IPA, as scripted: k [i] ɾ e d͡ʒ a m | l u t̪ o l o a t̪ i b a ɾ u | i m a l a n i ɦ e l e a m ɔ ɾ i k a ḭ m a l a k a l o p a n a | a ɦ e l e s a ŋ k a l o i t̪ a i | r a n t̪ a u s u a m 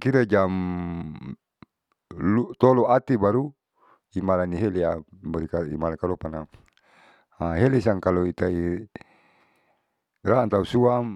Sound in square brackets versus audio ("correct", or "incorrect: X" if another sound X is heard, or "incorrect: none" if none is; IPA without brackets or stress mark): correct